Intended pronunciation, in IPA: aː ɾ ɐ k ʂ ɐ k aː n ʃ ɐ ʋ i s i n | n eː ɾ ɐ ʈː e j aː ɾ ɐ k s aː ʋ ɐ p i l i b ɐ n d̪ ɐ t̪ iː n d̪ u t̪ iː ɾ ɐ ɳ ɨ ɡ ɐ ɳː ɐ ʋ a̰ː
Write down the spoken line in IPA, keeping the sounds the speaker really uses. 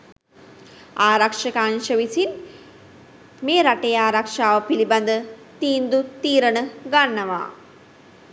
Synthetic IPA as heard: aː ɾ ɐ k ʂ ɐ k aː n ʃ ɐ ʋ i s i n | m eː ɾ ɐ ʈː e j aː ɾ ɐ k ʂ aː ʋ ɐ p i l i b ɐ n d̪ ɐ t̪ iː n d̪ u t̪ iː ɾ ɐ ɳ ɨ ɡ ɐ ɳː ɐ ʋ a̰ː